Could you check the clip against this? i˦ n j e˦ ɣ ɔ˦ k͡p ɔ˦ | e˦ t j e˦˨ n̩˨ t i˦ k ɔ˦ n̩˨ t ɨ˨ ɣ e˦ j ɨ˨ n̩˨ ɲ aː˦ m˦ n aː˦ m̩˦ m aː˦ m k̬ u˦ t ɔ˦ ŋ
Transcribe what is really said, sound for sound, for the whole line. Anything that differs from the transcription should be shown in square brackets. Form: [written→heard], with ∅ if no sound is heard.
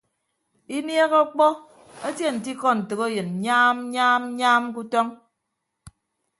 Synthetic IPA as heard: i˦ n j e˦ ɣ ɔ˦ k͡p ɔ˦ | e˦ t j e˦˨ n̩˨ t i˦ k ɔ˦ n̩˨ t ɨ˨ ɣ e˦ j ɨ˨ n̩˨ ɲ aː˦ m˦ [n→ɲ] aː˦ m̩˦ [m→ɲ] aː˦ m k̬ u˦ t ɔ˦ ŋ